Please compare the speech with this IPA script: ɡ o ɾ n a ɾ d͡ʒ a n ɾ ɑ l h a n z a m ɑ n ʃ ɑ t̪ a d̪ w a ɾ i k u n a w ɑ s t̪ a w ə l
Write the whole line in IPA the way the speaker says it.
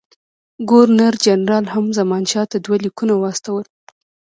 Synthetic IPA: ɡ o ɾ n a ɾ d͡ʒ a n ɾ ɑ l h a m z a m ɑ n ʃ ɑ t̪ a d̪ w a l i k u n a w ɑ s t̪ a w ə l